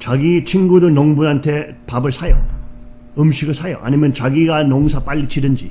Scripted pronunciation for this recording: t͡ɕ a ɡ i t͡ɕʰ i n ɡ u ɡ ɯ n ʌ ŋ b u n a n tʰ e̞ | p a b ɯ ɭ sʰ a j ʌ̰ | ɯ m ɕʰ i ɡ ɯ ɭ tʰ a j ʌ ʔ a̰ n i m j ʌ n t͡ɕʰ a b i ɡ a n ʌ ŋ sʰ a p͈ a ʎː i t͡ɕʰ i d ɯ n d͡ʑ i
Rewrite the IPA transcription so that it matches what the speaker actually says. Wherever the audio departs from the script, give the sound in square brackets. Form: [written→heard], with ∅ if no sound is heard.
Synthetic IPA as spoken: t͡ɕ a ɡ i t͡ɕʰ i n ɡ u [ɡ→d] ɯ n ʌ ŋ b u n a n tʰ e̞ | p a b ɯ ɭ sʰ a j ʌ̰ | ɯ m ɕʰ i ɡ ɯ ɭ [tʰ→sʰ] a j ʌ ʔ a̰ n i m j ʌ n [t͡ɕʰ→t͡ɕ] a [b→ɡ] i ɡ a n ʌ ŋ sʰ a p͈ a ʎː i t͡ɕʰ i d ɯ n d͡ʑ i